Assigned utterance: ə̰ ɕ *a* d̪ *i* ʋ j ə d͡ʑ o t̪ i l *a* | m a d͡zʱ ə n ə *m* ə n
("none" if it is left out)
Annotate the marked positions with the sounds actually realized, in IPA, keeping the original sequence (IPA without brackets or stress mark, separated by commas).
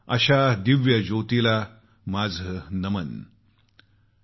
a, i, a, m